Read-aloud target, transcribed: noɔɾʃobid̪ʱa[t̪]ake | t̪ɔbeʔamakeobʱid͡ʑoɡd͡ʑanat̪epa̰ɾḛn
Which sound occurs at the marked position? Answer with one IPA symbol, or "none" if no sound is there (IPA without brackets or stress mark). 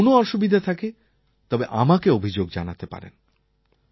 t̪ʰ